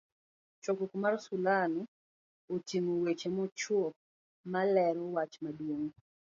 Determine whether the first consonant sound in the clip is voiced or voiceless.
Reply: voiceless